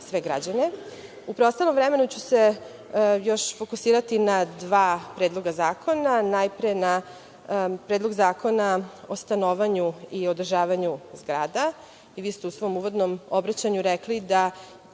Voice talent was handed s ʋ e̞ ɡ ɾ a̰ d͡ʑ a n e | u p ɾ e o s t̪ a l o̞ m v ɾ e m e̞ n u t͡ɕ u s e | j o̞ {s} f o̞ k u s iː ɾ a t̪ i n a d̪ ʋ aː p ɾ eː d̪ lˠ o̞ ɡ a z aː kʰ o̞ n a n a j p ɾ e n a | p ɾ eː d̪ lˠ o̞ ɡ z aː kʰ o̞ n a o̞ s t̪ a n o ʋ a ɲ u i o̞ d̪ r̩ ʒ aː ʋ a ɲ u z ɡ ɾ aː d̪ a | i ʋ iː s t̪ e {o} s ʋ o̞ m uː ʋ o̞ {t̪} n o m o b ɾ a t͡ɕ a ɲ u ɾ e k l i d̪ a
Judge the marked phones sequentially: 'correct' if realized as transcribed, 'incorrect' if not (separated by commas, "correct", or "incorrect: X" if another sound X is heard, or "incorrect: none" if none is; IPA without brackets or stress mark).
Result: incorrect: ʃ, incorrect: u, incorrect: d̪